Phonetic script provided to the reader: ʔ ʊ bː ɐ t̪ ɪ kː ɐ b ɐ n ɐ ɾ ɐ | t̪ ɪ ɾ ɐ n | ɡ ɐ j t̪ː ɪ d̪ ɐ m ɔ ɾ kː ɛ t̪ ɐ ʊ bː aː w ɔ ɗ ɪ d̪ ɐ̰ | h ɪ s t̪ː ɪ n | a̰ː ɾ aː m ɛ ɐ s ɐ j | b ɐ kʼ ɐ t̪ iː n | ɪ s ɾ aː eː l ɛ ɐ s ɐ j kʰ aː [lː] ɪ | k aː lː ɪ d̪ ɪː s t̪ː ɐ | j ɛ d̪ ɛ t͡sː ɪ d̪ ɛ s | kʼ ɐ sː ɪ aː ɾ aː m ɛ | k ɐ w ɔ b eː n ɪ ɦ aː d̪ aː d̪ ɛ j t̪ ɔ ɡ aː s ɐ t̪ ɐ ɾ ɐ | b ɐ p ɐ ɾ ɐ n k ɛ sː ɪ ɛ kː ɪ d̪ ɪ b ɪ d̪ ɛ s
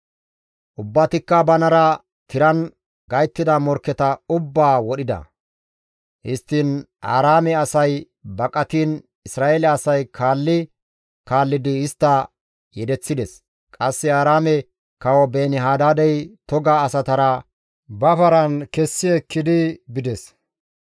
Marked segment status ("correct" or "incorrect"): correct